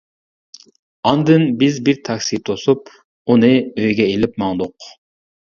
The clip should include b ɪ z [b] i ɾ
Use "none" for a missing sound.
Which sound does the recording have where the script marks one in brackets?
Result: b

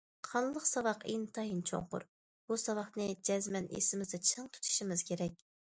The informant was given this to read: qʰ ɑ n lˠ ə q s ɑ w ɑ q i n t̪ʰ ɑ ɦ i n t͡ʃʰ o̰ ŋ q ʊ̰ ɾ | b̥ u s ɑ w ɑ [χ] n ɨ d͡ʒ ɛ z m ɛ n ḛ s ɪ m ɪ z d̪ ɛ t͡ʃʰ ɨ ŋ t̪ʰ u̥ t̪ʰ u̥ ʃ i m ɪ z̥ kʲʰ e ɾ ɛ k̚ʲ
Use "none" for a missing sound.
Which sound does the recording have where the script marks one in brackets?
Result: χ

